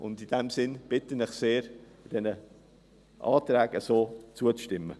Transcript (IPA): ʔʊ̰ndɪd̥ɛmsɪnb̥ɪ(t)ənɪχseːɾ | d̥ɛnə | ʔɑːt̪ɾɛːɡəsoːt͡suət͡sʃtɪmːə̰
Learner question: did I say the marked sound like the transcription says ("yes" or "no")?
yes